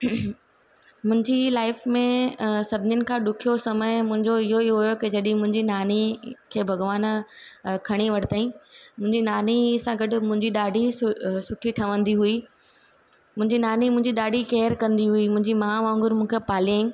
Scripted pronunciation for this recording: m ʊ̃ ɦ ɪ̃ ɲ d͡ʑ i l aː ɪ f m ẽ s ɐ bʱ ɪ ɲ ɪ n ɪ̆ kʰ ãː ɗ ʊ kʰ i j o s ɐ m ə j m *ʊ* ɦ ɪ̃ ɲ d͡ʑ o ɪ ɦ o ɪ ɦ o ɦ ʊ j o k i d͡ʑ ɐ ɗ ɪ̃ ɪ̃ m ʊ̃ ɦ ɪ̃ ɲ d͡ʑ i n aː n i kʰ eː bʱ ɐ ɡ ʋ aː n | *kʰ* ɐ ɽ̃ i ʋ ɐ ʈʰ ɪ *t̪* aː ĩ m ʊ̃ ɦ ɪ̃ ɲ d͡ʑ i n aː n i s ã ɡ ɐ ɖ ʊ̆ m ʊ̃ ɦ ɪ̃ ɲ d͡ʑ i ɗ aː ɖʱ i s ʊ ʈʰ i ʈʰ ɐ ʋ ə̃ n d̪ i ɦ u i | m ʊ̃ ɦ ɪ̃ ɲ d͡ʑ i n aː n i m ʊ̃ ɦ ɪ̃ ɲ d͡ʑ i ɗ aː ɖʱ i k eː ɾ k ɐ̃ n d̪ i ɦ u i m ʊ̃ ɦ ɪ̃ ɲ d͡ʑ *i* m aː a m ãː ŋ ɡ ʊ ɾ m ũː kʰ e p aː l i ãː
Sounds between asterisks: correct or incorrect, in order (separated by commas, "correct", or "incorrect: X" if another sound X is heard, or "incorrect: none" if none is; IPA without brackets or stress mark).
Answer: incorrect: ʊ̃, correct, correct, correct